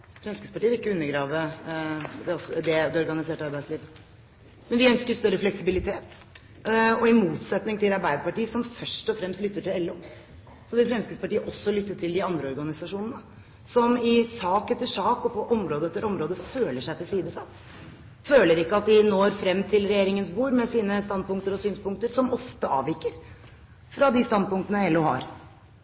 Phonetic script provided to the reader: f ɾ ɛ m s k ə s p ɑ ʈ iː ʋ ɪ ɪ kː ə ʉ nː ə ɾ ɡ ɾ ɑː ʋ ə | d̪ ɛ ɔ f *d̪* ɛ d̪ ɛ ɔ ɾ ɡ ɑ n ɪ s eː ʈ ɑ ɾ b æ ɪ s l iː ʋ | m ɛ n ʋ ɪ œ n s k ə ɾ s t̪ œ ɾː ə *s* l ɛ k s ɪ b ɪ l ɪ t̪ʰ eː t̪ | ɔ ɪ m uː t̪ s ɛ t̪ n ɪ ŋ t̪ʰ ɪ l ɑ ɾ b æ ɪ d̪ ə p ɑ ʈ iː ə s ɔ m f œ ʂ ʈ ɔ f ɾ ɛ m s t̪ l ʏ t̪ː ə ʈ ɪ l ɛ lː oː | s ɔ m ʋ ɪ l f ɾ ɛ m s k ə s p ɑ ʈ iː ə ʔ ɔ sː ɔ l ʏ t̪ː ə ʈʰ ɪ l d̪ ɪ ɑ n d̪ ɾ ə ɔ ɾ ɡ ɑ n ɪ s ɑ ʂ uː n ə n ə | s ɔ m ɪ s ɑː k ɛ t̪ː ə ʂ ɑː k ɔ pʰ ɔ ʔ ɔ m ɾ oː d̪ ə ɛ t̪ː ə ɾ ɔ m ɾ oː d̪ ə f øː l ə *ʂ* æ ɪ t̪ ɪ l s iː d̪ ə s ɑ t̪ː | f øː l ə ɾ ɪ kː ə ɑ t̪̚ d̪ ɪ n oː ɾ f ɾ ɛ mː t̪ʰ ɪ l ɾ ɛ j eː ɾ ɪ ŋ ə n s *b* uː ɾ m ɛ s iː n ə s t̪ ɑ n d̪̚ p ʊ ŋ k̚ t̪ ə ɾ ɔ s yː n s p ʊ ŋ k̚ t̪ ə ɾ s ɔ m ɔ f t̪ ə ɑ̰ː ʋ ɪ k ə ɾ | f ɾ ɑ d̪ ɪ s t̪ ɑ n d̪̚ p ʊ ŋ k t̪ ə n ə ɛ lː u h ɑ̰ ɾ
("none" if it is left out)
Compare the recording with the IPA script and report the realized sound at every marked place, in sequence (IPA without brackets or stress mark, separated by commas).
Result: d̪, f, ʂ, b